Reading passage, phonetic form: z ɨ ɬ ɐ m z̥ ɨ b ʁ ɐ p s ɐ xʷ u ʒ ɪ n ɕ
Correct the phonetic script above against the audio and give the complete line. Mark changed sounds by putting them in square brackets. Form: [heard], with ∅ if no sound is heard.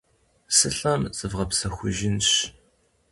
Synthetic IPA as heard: [s] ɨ ɬ ɐ m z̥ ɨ [v] ʁ ɐ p s ɐ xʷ [ʊ] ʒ ɪ n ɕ